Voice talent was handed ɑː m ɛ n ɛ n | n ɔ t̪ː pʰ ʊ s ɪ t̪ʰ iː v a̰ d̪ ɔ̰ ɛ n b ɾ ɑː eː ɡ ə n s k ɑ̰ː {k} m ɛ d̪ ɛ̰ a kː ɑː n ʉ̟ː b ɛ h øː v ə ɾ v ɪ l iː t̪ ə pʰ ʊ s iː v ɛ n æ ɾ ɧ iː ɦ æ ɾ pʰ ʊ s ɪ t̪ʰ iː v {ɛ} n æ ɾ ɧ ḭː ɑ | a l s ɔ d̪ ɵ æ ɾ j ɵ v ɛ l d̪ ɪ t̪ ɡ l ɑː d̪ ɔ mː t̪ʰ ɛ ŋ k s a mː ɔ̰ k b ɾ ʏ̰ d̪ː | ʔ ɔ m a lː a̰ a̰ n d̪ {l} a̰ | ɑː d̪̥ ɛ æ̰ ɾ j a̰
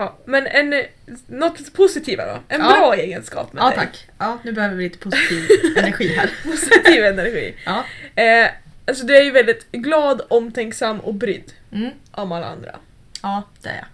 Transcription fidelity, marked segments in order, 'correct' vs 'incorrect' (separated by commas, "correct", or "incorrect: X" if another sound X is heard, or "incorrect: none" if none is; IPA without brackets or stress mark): incorrect: p, correct, incorrect: ɾ